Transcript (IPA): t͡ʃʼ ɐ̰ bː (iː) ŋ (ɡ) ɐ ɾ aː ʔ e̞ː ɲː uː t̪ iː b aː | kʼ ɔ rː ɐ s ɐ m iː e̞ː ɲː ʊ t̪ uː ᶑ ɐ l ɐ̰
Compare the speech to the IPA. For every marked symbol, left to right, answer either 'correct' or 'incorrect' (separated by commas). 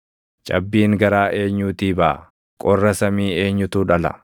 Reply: correct, correct